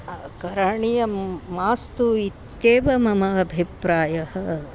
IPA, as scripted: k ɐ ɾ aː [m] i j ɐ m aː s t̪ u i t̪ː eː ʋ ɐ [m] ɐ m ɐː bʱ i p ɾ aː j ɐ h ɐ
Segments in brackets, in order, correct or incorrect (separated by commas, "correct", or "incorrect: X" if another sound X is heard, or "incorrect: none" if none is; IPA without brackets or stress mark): incorrect: ɳ, correct